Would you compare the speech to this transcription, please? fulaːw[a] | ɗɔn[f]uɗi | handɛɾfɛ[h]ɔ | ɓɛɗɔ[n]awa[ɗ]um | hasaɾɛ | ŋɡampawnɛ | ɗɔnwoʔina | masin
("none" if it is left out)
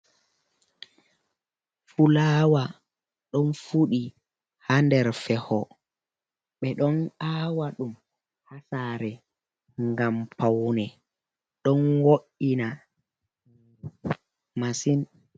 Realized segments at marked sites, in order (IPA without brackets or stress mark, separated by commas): a, f, h, n, ɗ